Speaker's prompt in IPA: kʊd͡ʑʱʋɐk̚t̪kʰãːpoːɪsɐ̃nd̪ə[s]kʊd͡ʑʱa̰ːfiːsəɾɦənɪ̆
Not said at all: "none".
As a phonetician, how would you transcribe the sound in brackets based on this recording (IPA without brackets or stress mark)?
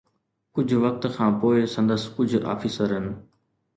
s